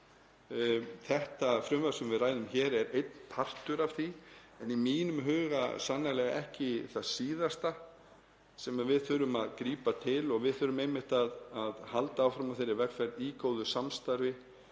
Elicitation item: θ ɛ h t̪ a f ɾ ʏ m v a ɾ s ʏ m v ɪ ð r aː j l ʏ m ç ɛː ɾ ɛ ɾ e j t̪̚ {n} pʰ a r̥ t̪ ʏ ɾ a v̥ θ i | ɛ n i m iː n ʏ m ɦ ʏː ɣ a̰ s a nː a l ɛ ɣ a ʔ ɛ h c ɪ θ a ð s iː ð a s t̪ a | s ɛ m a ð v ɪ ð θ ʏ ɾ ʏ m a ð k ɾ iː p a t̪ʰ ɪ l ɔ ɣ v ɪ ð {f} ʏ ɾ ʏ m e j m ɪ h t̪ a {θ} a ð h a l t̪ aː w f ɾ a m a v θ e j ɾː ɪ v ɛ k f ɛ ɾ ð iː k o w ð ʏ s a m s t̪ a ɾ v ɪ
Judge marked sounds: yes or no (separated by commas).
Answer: yes, no, no